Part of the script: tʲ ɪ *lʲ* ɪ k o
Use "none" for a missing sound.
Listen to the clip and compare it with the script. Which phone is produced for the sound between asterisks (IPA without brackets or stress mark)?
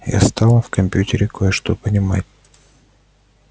ɾʲ